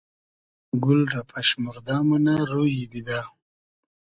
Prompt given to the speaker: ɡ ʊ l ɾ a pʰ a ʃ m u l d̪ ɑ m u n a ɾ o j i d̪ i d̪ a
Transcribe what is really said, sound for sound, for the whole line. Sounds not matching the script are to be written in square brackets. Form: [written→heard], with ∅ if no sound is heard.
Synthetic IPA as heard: ɡ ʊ l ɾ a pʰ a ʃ m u [l→ɾ] d̪ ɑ m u n a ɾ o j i d̪ i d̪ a